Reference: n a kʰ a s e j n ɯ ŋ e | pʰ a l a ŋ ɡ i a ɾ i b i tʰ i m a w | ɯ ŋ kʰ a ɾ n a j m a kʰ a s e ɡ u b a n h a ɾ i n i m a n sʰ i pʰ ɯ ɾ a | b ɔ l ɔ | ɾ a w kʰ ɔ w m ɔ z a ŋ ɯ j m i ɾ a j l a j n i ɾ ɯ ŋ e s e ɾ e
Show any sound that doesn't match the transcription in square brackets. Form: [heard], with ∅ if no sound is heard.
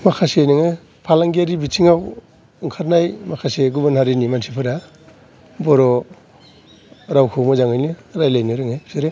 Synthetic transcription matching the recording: [m] a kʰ a s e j n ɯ ŋ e | pʰ a l a ŋ ɡ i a ɾ i b i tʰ i [ŋ] a w | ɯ ŋ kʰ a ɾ n a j m a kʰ a s e ɡ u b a n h a ɾ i n i m a n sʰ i pʰ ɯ ɾ a | b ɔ [ɾ] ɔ | ɾ a w kʰ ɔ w m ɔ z a ŋ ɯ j [n] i ɾ a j l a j n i ɾ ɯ ŋ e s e ɾ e